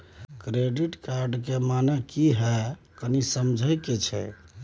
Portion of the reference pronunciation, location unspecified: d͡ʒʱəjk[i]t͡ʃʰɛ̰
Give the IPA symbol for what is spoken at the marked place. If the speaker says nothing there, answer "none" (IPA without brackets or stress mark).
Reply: e